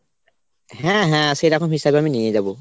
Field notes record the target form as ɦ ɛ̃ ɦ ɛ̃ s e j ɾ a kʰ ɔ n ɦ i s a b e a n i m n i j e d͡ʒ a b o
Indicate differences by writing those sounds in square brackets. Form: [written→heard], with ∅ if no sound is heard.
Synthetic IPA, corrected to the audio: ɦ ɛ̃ ɦ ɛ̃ s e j ɾ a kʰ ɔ [n→m] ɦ i s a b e a [n→m] i [m→∅] n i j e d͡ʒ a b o